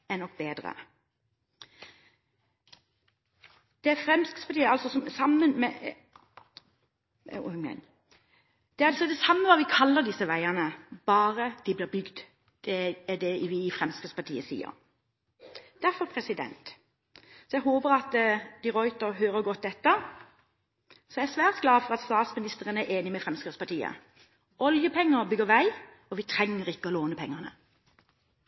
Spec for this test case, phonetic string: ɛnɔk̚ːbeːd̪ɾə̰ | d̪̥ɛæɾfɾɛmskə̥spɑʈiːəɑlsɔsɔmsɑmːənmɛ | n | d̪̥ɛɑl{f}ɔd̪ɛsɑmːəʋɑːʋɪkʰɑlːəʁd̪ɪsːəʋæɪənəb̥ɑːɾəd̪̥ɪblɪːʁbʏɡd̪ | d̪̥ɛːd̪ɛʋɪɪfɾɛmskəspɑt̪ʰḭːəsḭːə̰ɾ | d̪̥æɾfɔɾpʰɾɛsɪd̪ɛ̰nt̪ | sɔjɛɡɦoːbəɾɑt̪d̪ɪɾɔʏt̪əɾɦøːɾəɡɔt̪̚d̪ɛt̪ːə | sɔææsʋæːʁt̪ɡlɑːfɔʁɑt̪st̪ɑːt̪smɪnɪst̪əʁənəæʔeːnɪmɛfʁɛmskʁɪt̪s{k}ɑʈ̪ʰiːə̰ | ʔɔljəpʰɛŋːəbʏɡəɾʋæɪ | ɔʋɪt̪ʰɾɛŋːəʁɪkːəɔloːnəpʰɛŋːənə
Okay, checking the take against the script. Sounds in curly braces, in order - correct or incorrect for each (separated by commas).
incorrect, incorrect